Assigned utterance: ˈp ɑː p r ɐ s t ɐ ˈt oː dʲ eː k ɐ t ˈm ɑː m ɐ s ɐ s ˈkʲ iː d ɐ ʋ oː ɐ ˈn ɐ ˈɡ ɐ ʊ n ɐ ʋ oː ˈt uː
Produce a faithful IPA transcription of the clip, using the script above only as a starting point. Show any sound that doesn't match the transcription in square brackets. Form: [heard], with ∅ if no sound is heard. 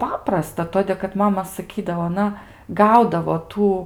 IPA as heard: ˈp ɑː p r ɐ s t ɐ ˈt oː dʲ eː k ɐ t ˈm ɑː m ɐ s ɐ [∅] ˈkʲ iː d ɐ ʋ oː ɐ ˈn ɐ ˈɡ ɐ ʊ [d] ɐ ʋ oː ˈt uː